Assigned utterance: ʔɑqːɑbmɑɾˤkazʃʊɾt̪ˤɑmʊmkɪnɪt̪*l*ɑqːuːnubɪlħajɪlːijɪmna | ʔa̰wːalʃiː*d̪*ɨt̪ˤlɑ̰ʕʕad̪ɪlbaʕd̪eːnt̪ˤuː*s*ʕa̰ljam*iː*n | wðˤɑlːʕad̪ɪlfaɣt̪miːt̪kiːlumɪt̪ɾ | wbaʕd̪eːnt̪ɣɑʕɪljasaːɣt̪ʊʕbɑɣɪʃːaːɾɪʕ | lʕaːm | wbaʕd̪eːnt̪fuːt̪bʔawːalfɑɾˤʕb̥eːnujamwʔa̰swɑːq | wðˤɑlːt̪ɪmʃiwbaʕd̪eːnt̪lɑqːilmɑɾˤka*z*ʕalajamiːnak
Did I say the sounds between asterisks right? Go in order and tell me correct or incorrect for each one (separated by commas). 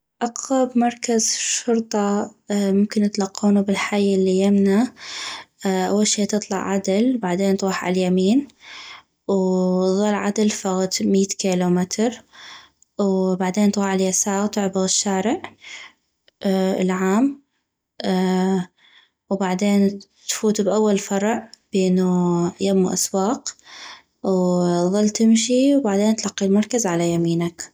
correct, incorrect, incorrect, correct, correct